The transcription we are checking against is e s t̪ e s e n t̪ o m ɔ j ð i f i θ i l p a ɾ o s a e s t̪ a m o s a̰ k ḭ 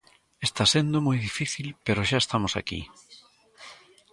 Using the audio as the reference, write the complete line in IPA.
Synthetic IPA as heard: e s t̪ a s e n d̪ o m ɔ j ð i f i θ i l p e ɾ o ʃ a e s t̪ a m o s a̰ k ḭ